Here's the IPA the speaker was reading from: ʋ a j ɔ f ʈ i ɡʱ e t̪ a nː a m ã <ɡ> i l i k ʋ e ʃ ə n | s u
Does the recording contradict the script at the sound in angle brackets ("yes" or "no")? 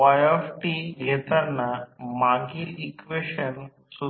no